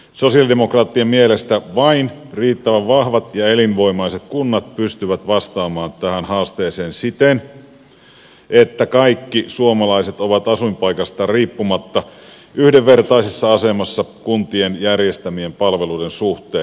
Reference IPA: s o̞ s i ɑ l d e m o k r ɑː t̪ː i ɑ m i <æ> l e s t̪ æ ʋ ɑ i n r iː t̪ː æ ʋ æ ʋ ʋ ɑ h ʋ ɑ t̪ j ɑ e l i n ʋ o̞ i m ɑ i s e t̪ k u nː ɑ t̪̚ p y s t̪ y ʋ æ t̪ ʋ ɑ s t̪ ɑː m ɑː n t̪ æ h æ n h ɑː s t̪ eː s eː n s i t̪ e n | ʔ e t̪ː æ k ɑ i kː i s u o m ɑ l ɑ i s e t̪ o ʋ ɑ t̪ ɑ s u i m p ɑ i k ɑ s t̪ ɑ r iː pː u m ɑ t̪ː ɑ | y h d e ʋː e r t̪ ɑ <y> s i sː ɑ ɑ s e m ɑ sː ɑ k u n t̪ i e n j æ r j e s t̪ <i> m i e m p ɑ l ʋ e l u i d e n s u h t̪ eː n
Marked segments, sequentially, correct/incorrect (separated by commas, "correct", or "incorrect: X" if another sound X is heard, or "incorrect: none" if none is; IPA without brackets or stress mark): incorrect: e, incorrect: i, incorrect: æ